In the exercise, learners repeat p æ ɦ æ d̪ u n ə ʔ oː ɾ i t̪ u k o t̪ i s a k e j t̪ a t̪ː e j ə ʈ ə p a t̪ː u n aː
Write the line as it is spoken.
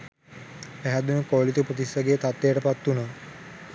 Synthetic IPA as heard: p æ ɦ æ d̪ u n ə k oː l i t̪ u p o t̪ i s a ɡ e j t̪ a t̪ː e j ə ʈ ə p a t̪ː u n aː